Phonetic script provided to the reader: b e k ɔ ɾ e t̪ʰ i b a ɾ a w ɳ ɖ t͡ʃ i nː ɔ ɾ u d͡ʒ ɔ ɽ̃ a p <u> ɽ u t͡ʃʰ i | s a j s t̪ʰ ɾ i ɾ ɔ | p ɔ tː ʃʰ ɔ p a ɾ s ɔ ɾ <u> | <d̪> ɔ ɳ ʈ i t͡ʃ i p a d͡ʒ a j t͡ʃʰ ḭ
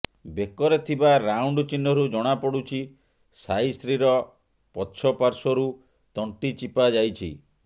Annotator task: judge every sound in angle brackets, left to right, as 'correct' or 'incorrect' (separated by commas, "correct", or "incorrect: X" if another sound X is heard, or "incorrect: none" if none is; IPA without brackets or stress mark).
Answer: incorrect: ɔ, correct, incorrect: t̪